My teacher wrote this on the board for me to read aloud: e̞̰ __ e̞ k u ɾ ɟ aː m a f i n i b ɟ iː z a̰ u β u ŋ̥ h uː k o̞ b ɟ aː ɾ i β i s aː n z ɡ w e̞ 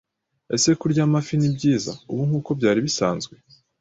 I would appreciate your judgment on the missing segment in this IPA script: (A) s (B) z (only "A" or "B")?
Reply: A